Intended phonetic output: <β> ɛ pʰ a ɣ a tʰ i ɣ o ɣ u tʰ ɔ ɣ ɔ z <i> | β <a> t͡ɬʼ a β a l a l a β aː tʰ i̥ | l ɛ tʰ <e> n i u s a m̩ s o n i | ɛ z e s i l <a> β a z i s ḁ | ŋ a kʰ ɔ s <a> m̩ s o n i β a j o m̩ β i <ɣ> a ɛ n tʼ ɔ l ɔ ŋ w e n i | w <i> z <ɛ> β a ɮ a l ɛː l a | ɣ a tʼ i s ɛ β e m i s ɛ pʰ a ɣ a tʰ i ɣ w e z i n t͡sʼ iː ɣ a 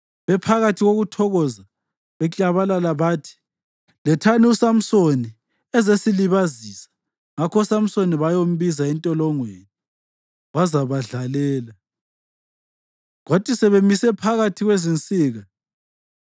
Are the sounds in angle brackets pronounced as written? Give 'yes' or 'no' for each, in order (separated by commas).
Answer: yes, no, no, no, no, yes, no, no, no